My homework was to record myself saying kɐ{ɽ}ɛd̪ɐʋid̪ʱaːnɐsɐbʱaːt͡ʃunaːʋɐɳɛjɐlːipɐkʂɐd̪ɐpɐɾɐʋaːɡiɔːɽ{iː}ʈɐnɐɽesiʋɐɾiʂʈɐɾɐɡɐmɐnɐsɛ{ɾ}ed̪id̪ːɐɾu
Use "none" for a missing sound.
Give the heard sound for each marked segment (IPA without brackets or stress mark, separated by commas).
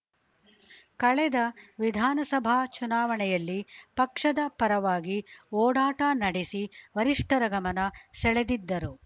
ɭ, aː, ɭ